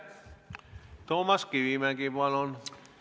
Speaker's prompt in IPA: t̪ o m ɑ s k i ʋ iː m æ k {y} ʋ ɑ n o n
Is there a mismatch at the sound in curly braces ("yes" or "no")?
yes